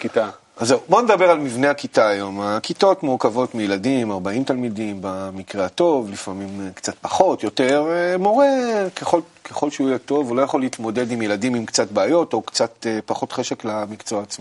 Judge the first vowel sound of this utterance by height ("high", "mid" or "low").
high